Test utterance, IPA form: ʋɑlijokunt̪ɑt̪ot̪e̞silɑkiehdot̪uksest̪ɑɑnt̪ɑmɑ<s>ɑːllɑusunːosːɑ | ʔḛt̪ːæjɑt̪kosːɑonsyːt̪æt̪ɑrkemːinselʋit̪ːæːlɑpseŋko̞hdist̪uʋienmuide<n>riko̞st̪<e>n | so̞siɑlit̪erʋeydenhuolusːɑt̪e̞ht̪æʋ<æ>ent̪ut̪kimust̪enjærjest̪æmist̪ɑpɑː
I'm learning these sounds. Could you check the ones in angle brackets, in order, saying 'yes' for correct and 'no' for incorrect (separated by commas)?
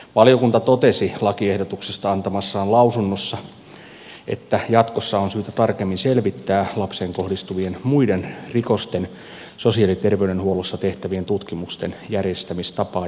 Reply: no, yes, yes, no